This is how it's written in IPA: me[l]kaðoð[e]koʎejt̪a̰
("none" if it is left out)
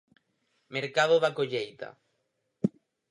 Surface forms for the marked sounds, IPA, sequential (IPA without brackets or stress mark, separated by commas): ɾ, a